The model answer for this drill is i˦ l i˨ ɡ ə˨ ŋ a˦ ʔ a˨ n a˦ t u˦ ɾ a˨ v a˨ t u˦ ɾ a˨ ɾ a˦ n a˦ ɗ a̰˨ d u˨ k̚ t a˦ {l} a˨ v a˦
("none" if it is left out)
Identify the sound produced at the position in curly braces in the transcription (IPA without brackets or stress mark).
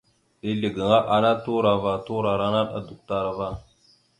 ɾ